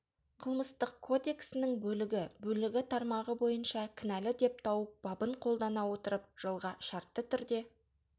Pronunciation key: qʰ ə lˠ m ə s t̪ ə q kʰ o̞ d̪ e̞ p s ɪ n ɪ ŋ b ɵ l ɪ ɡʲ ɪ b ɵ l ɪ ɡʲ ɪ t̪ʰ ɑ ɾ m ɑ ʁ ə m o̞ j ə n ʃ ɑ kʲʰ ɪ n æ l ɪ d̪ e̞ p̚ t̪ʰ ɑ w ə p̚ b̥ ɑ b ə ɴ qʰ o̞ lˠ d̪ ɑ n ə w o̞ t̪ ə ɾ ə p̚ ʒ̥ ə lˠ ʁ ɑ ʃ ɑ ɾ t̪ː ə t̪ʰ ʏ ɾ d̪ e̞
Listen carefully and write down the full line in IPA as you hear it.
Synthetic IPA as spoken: qʰ ə lˠ m ə s t̪ ə q kʰ o̞ d̪ e̞ k s ɪ n ɪ ŋ b ɵ l ɪ ɡʲ ɪ b ɵ l ɪ ɡʲ ɪ t̪ʰ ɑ ɾ m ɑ ʁ ə b o̞ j ə n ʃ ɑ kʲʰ ɪ n æ l ɪ d̪ e̞ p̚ t̪ʰ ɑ w ə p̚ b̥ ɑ b ə ɴ qʰ o̞ lˠ d̪ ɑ n ɑ w o̞ t̪ ə ɾ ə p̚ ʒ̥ ə lˠ ʁ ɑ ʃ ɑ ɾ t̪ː ə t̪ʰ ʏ ɾ d̪ e̞